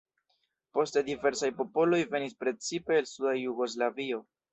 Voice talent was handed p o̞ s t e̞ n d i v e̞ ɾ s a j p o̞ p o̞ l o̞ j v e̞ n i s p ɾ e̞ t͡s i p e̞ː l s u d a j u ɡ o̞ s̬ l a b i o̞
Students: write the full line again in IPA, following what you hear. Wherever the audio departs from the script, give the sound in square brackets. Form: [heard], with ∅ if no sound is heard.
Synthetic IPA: p o̞ s t e̞ [∅] d i v e̞ ɾ s a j p o̞ p o̞ l o̞ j v e̞ n i s p ɾ e̞ t͡s i p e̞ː l s u d a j u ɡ o̞ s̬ l a [v] i o̞